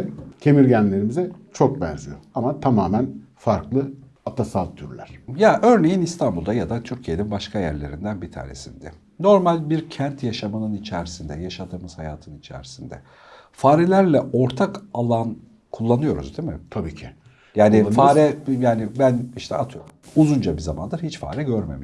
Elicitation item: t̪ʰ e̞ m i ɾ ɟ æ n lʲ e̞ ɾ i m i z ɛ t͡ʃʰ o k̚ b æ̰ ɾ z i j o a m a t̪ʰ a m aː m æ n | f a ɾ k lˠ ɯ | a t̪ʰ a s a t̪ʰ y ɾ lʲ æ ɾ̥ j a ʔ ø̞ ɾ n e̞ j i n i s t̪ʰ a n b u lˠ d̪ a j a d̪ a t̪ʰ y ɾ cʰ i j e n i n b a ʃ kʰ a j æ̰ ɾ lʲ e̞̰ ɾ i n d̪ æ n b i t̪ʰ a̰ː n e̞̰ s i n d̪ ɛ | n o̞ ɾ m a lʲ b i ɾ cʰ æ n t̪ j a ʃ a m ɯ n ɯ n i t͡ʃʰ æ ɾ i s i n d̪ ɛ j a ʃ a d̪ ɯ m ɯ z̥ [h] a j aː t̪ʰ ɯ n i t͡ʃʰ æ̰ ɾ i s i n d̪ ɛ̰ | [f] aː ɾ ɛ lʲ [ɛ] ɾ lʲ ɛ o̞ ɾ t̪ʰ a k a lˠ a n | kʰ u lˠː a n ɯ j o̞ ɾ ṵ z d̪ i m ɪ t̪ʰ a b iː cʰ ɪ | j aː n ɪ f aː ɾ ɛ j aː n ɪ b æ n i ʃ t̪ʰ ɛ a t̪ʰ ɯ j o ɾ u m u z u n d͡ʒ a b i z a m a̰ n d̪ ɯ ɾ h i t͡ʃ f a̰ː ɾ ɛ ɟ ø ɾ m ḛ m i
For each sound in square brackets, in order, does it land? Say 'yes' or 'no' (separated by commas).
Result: yes, yes, no